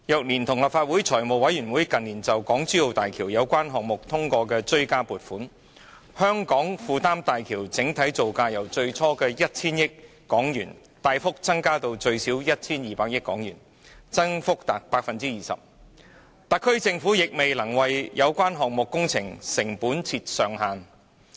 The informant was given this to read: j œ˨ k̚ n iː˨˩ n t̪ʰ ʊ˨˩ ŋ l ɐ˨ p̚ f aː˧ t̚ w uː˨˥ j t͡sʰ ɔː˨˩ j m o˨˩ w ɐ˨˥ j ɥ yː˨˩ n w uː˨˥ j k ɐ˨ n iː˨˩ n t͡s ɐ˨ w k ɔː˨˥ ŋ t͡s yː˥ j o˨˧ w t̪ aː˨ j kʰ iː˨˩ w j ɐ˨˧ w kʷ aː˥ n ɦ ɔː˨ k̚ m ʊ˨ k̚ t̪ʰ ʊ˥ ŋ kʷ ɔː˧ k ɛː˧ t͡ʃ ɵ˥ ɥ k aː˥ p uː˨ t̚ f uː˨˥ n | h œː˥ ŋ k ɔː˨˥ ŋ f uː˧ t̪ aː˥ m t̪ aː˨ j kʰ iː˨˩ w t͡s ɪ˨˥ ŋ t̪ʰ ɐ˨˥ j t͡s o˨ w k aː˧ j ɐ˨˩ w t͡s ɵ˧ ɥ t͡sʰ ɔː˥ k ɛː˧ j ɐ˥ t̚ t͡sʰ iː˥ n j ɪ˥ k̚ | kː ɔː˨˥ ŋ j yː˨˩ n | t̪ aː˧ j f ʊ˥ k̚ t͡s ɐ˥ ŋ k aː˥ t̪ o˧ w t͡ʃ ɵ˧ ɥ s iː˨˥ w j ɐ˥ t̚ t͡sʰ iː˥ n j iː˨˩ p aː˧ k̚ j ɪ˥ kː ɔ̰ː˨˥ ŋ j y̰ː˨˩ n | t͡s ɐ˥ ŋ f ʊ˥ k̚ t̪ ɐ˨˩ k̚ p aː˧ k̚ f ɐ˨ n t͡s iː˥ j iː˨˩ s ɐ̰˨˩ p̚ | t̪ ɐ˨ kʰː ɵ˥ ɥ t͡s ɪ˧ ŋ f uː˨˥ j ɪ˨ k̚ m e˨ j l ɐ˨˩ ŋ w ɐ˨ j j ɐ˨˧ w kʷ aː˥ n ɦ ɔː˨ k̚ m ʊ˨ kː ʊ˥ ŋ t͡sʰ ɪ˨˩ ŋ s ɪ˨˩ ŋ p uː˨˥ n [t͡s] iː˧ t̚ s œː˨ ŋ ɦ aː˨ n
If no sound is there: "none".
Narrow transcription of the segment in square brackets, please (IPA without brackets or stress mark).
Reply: t͡sʰ